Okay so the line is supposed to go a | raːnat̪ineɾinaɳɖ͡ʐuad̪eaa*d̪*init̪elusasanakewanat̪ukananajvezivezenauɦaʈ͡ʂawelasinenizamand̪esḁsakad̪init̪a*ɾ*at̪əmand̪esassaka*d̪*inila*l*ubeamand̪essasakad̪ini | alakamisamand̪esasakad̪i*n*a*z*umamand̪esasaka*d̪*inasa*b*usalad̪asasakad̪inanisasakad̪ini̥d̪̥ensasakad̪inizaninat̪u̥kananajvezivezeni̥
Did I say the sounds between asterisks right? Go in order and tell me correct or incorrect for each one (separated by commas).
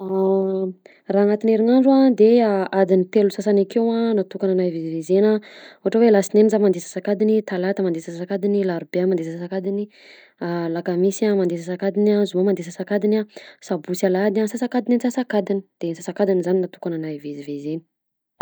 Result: correct, incorrect, correct, incorrect, correct, correct, correct, correct